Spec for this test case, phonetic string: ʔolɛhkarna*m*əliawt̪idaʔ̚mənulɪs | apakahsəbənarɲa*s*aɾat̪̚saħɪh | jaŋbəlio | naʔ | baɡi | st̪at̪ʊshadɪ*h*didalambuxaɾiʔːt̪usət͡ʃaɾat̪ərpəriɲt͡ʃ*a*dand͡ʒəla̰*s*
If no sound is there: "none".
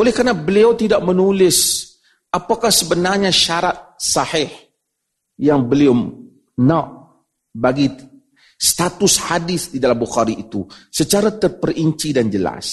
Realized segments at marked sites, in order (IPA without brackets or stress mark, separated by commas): b, ʃ, θ, i, s